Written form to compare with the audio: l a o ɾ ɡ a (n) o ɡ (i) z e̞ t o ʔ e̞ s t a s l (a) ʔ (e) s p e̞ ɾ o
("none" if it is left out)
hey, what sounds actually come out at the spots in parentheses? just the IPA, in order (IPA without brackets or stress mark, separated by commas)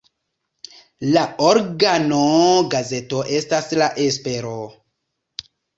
n, a, a, e